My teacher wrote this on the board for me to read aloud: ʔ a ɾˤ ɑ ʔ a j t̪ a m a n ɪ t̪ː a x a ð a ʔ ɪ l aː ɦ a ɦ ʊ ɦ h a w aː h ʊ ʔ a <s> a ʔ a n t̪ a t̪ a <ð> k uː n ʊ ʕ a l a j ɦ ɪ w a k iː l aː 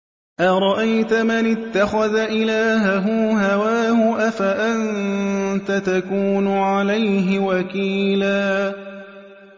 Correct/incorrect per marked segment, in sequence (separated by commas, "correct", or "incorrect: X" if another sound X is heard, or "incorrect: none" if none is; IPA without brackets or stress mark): incorrect: f, incorrect: none